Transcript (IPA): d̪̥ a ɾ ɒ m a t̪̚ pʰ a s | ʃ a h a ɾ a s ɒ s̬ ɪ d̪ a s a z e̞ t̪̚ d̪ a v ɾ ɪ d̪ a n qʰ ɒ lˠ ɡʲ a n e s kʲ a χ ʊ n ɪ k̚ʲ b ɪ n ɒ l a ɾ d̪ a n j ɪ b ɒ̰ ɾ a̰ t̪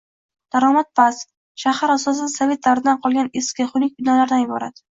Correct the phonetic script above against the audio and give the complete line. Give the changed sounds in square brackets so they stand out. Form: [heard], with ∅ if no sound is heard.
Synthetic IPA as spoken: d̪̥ a ɾ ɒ m a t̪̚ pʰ a s | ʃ a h a ɾ a s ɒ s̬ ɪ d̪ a s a [v] e̞ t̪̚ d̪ a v ɾ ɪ d̪ a n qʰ ɒ lˠ ɡʲ a n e s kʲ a χ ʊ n ɪ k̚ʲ b ɪ n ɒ l a ɾ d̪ a n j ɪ b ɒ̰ ɾ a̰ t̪